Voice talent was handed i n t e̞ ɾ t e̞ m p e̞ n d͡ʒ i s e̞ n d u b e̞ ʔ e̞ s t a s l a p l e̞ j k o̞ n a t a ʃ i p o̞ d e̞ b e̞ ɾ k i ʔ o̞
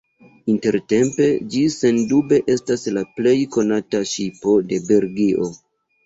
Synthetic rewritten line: i n t e̞ ɾ t e̞ m p e̞ d͡ʒ i s e̞ n d u b e̞ ʔ e̞ s t a s l a p l e̞ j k o̞ n a t a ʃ i p o̞ d e̞ b e̞ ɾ ɡ i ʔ o̞